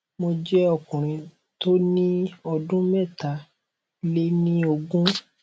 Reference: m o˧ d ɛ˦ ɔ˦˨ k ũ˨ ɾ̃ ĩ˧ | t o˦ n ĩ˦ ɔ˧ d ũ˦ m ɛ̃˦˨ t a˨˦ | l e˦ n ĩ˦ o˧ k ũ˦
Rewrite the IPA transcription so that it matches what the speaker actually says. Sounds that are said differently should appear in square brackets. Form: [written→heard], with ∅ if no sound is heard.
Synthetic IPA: m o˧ [d→d͡ʒ] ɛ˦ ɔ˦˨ k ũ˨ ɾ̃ ĩ˧ | t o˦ n ĩ˦ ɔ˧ d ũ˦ m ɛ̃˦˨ t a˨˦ | l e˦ n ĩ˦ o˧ [k→ɡ] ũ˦